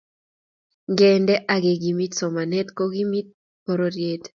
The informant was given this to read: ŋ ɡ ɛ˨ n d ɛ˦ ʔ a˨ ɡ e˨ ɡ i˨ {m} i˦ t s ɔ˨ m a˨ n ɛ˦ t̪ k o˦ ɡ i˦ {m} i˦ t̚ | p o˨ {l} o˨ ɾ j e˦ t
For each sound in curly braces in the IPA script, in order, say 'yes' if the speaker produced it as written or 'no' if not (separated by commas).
yes, yes, no